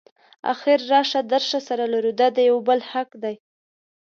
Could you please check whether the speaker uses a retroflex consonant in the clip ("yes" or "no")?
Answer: no